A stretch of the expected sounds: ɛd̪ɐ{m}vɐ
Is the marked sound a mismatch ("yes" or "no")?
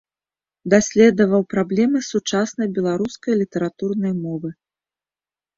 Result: yes